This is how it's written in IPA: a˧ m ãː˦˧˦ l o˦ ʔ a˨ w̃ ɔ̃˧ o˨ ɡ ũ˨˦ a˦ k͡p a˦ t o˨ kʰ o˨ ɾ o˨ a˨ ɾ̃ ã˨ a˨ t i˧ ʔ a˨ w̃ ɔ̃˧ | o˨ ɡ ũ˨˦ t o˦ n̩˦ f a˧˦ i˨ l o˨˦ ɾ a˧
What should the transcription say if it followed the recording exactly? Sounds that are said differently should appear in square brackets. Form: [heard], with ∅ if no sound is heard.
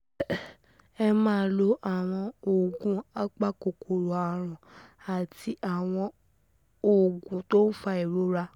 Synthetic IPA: [ɛ˧] m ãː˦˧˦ l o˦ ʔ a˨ w̃ ɔ̃˧ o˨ ɡ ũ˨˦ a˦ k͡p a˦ [k] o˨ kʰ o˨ ɾ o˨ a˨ ɾ̃ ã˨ a˨ t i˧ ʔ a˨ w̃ ɔ̃˧ | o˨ ɡ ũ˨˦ t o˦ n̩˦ f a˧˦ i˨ [ɾ] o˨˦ ɾ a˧